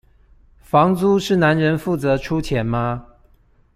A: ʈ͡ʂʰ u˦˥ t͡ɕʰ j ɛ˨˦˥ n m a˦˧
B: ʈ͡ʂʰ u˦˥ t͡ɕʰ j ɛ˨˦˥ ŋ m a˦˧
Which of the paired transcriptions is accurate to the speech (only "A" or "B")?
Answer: A